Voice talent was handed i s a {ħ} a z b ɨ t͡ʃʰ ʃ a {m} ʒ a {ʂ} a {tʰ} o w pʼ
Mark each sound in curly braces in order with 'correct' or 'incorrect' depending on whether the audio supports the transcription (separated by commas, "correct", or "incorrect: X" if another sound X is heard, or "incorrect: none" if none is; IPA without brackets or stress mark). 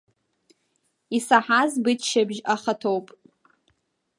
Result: correct, incorrect: b, incorrect: χ, correct